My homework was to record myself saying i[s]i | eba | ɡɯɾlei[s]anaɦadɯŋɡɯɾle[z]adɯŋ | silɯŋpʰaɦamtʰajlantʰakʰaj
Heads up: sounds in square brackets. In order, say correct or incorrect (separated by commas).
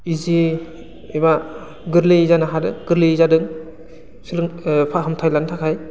incorrect, incorrect, correct